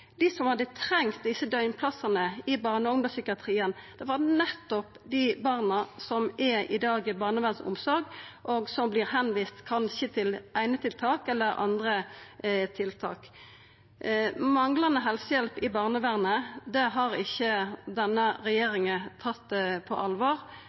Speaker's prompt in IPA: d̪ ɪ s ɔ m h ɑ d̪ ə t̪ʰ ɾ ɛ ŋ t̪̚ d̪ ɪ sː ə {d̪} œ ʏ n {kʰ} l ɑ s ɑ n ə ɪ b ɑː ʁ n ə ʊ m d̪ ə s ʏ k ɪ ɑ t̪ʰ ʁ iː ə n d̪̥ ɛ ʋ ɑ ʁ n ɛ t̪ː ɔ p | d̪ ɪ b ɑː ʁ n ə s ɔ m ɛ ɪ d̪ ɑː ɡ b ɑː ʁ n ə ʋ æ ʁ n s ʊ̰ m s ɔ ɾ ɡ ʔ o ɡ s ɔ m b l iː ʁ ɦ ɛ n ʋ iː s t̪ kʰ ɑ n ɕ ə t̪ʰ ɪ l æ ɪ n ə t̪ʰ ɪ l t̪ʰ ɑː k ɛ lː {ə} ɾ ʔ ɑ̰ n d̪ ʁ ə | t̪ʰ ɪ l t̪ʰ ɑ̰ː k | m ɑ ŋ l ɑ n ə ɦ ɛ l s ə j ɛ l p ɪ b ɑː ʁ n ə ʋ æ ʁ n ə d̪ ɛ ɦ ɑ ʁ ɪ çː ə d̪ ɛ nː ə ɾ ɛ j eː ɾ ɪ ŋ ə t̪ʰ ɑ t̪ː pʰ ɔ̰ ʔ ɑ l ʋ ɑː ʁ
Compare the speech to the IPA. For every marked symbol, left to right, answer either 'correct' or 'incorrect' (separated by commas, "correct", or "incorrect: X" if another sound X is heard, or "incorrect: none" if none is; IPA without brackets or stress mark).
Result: correct, incorrect: pʰ, correct